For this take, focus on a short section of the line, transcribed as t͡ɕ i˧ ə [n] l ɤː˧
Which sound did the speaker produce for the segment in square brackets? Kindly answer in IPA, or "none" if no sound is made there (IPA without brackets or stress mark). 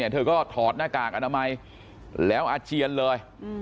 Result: n